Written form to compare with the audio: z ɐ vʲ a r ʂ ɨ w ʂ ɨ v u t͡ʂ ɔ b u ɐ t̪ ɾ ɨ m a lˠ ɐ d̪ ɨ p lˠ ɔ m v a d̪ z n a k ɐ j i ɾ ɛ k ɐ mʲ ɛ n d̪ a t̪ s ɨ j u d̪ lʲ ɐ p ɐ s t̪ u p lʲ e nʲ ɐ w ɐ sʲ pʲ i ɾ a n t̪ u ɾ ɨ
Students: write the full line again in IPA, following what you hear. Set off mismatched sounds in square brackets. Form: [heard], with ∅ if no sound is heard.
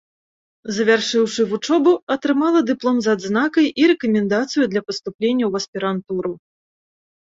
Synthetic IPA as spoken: z ɐ vʲ a r ʂ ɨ w ʂ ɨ v u t͡ʂ ɔ b u ɐ t̪ ɾ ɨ m a lˠ ɐ d̪ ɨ p lˠ ɔ m [z] a d̪ z n a k ɐ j i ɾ ɛ k ɐ mʲ ɛ n d̪ a t̪ s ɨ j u d̪ lʲ ɐ p ɐ s t̪ u p lʲ e [nʲː] ɐ w ɐ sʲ pʲ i ɾ a n t̪ u ɾ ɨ